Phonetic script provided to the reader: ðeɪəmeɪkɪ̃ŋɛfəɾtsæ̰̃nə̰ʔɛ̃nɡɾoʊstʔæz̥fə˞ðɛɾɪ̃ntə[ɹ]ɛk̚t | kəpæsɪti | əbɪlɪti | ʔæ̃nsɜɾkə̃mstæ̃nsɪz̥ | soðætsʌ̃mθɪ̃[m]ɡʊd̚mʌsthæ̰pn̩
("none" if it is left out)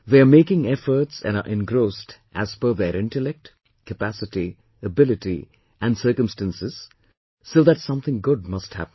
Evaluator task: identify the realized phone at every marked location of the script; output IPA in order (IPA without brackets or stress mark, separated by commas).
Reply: l, ŋ